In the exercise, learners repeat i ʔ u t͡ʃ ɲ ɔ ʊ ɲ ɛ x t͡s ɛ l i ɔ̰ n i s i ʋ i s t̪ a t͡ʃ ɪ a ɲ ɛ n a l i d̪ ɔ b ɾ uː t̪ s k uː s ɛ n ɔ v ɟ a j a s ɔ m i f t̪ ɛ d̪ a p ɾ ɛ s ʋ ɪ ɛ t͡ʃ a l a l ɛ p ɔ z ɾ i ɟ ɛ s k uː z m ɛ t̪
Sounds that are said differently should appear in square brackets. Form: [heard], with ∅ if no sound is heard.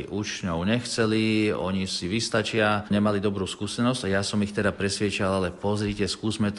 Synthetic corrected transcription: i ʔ u t͡ʃ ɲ ɔ ʊ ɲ ɛ x t͡s ɛ l i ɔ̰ [ɲ] i s i ʋ i s t̪ a t͡ʃ ɪ a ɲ ɛ [m] a l i d̪ ɔ b ɾ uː [∅] s k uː s ɛ n ɔ [z] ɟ a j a s ɔ m i [x] t̪ ɛ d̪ a p ɾ ɛ s ʋ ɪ ɛ t͡ʃ a l a l ɛ p ɔ z ɾ i [c] ɛ s k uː z m ɛ t̪